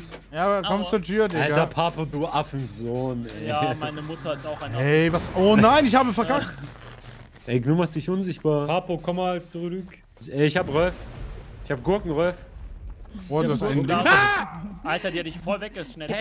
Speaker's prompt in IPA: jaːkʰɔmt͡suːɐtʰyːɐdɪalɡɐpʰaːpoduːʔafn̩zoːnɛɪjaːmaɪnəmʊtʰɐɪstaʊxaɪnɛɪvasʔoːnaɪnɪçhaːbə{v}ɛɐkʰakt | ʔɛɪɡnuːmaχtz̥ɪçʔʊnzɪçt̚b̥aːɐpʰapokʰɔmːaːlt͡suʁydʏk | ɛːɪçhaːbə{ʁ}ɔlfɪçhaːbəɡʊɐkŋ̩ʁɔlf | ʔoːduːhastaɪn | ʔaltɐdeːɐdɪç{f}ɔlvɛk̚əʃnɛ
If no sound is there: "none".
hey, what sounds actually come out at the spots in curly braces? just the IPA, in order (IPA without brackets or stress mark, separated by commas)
f, ʁ, f